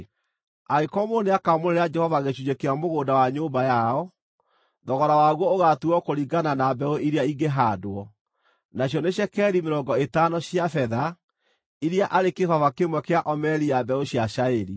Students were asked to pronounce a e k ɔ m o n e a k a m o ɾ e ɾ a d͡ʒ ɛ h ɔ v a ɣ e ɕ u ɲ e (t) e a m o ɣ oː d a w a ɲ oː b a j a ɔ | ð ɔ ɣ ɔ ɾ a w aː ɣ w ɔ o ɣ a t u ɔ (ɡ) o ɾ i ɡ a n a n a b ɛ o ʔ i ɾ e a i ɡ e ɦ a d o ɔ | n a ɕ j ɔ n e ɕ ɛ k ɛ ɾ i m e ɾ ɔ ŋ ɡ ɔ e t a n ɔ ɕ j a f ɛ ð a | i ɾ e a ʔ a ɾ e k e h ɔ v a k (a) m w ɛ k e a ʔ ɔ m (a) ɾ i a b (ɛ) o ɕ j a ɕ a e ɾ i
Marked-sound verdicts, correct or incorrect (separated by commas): incorrect, incorrect, incorrect, incorrect, correct